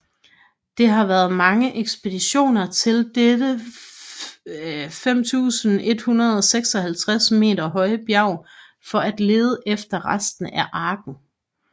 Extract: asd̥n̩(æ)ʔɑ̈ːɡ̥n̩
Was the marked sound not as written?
no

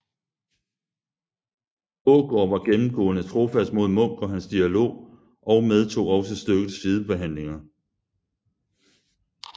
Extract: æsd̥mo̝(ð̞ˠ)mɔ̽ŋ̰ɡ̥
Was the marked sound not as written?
no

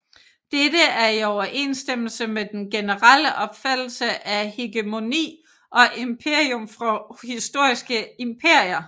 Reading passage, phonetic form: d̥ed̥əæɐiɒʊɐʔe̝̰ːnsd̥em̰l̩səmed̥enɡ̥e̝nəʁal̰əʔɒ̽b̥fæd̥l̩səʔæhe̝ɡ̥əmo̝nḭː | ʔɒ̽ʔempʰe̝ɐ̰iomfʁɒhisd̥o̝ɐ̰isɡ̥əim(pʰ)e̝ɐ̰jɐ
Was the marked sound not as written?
no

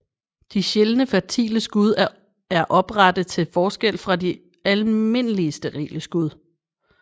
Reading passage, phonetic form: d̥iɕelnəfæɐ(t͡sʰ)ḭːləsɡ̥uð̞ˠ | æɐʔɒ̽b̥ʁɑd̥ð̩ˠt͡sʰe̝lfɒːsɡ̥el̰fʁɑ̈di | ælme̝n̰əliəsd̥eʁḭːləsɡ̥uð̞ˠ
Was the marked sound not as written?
no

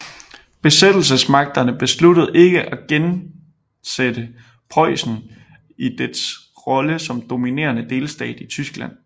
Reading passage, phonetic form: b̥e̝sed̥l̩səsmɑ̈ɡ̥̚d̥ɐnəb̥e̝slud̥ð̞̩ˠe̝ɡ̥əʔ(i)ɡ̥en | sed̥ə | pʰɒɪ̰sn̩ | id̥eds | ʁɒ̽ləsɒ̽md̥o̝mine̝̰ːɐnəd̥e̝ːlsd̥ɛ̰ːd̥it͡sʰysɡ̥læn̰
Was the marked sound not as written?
yes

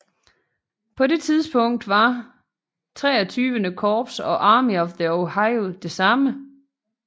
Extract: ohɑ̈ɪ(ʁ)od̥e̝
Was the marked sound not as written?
yes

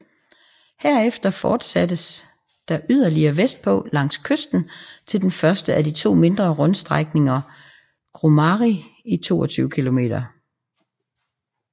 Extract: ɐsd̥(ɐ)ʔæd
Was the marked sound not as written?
yes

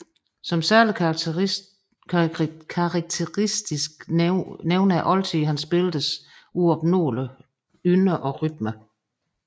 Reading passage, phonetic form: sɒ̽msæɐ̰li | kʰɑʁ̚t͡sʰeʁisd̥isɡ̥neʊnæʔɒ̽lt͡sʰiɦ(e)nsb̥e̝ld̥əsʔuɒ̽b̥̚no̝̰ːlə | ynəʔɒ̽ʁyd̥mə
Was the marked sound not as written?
yes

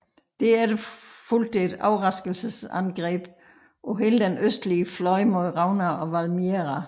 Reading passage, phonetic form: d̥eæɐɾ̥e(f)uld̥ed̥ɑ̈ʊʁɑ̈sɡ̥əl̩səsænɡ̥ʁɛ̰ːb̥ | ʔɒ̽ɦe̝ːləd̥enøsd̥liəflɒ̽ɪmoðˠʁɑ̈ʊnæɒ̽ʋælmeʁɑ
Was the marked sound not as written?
no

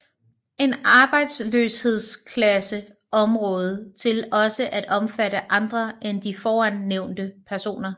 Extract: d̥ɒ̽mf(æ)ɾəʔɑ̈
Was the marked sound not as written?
no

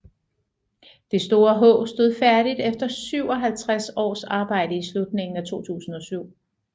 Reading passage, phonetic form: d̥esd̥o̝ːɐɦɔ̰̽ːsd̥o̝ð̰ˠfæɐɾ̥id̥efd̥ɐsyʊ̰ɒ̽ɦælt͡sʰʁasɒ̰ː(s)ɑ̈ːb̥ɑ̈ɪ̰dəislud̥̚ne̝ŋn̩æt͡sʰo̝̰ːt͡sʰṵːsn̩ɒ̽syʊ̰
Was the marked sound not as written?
no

